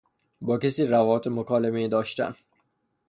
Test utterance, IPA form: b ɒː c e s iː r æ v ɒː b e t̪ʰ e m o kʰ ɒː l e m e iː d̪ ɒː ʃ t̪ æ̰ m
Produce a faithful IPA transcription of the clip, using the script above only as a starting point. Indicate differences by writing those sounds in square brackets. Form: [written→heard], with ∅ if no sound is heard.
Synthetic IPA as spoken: b ɒː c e s iː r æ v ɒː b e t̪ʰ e m o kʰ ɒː l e m e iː d̪ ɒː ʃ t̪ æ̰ [m→n]